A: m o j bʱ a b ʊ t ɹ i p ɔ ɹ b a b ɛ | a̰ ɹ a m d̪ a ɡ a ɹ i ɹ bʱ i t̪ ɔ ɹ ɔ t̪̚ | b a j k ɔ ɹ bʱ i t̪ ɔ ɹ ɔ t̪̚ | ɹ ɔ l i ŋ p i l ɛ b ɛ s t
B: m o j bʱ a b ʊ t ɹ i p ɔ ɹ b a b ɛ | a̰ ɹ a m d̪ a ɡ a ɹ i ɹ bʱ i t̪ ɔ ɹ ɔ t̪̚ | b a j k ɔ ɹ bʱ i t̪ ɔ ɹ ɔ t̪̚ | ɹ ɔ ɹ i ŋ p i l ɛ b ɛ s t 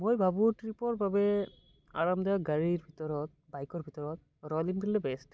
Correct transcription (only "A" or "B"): A